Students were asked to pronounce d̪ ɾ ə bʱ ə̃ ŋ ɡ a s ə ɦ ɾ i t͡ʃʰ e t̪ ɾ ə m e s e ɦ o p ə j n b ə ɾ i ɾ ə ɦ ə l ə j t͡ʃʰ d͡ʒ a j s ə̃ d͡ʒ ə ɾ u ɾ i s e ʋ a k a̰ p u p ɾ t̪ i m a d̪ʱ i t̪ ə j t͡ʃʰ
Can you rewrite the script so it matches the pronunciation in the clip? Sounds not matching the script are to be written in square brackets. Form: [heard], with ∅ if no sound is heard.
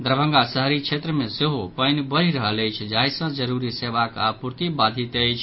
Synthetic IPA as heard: d̪ ɾ ə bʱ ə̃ ŋ ɡ a s ə ɦ ɾ i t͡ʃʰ e t̪ ɾ ə m e s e ɦ o p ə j n b ə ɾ i ɾ ə ɦ ə l ə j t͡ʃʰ d͡ʒ a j s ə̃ d͡ʒ ə ɾ u ɾ i s e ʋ a k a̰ p u [∅] ɾ t̪ i [b] a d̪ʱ i t̪ ə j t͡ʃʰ